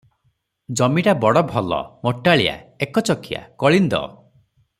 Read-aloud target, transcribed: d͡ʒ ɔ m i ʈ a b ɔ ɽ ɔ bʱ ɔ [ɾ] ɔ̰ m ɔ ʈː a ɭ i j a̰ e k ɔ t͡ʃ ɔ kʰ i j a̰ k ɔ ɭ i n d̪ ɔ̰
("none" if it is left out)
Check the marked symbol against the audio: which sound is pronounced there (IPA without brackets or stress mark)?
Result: l